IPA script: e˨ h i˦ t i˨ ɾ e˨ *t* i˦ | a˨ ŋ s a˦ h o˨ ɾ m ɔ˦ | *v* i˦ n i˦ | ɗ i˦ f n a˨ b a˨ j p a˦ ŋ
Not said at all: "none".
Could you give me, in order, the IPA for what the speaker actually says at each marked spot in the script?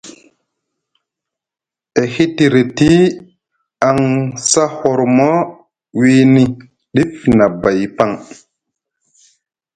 t, w

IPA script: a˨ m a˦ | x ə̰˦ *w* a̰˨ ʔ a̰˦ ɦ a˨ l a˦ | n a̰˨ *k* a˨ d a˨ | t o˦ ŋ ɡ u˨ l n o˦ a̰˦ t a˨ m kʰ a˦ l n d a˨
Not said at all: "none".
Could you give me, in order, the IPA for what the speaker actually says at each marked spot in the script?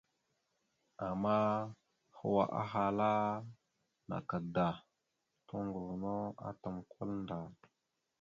w, k

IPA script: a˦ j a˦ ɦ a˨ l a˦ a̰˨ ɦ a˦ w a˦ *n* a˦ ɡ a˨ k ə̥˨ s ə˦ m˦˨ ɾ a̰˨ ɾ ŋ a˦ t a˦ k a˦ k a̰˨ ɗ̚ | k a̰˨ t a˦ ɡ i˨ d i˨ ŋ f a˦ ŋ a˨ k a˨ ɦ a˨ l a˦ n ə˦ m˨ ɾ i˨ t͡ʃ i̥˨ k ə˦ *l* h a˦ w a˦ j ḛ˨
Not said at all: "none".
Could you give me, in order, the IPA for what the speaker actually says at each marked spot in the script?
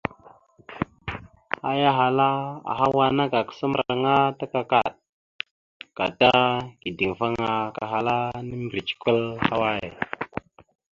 n, l

